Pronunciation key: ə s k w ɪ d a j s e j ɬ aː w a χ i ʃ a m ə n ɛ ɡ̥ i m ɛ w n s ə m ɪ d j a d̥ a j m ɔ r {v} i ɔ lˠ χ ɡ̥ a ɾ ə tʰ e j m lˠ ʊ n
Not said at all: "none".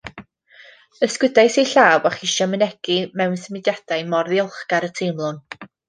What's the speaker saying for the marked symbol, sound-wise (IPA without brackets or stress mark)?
ð